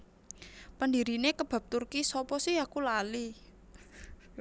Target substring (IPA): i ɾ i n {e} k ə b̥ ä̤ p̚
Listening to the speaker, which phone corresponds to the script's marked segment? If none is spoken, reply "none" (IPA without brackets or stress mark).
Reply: e